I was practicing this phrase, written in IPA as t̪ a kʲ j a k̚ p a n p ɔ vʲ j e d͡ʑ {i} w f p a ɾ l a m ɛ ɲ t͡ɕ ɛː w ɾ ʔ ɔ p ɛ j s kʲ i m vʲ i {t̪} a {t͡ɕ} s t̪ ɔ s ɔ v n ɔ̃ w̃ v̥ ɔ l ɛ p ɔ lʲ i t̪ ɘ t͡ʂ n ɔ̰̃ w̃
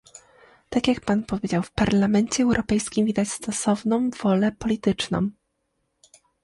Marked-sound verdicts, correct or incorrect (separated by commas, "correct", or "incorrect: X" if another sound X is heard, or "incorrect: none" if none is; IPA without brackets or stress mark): incorrect: a, incorrect: d̪, correct